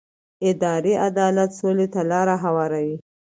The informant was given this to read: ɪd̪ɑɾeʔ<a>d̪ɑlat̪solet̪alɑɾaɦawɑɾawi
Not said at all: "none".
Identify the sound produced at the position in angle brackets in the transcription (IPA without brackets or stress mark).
a